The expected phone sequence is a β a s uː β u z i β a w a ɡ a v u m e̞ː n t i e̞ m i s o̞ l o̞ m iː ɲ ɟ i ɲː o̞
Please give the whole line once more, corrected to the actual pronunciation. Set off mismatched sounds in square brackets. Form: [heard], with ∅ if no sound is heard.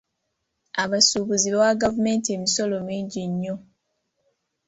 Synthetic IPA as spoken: a β a s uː β u z i β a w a ɡ a v u m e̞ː n t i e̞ m i s o̞ l o̞ m iː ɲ ɟ i ɲː o̞